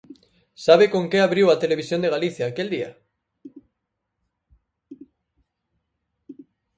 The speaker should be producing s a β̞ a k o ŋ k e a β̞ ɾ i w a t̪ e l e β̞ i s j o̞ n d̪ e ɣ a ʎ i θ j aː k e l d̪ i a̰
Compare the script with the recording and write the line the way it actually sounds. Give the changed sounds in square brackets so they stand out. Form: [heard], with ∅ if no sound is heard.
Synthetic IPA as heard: s a β̞ [e] k o ŋ k e a β̞ ɾ i w a t̪ e l e β̞ i s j o̞ n d̪ e ɣ a [l] i θ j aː k e l d̪ i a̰